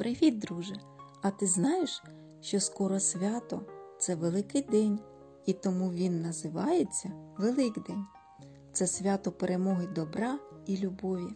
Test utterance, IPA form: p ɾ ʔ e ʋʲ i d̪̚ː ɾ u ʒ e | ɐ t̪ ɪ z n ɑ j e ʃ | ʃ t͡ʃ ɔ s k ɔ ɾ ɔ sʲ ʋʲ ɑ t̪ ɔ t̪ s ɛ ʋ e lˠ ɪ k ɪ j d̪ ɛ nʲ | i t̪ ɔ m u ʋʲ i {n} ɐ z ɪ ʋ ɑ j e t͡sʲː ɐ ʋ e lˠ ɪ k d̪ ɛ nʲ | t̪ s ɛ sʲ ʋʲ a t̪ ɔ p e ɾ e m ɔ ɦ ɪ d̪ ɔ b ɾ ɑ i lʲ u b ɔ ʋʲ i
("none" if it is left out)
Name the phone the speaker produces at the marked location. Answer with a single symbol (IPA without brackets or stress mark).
nː